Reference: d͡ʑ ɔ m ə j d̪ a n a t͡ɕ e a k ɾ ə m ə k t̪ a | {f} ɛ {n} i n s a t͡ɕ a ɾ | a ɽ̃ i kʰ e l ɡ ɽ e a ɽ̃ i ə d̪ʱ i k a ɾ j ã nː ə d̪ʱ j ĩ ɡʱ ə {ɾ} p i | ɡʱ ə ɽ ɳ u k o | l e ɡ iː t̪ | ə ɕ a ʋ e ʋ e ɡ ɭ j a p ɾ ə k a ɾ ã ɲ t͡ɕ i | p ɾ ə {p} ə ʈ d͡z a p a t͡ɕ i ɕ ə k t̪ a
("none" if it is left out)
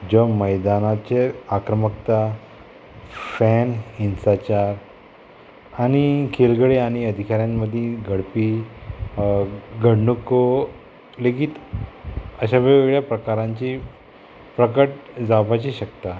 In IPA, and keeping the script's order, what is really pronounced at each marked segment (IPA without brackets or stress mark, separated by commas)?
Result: f, n, ɽ, k